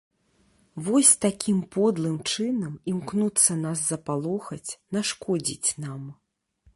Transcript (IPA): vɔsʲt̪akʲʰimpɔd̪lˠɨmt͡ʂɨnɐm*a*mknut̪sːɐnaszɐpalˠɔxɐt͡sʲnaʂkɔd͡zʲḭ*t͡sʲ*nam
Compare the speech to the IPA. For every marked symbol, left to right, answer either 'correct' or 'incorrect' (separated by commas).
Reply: incorrect, correct